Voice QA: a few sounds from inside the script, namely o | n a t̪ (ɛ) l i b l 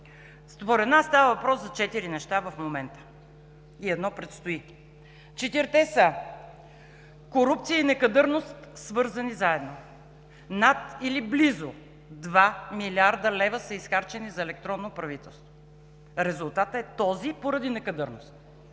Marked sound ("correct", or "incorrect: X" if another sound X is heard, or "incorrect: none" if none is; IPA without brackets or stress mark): incorrect: i